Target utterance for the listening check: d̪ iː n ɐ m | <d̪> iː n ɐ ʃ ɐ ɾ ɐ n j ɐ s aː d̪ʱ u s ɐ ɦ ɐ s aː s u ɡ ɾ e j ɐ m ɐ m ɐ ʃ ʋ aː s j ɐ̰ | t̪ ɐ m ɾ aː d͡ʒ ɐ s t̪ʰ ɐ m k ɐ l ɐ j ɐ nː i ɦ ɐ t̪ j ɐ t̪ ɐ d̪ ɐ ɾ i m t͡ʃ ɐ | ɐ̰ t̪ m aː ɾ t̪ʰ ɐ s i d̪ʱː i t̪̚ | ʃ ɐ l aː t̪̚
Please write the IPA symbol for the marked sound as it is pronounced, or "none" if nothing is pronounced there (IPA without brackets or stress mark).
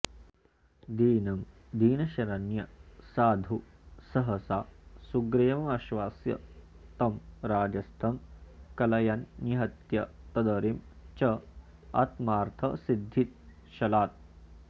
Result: d̪